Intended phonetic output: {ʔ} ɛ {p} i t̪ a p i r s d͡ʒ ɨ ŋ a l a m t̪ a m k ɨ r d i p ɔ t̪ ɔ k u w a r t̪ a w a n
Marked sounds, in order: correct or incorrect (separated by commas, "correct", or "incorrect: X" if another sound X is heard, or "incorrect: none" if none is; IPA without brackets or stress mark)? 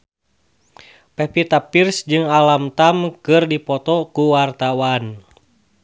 incorrect: p, correct